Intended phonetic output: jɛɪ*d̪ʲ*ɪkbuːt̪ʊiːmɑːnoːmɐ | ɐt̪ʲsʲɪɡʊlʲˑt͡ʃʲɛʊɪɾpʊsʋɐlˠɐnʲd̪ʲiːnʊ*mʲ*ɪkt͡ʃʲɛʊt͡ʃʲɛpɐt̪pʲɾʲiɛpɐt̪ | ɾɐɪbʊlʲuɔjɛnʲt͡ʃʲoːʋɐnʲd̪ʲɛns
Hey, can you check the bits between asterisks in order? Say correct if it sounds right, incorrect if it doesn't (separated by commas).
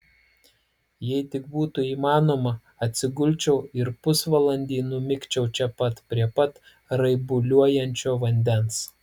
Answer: incorrect, correct